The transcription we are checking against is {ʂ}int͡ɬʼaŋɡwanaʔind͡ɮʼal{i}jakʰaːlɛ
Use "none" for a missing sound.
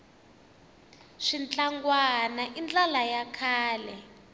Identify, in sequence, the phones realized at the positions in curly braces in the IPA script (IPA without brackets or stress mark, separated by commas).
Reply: ʂ, a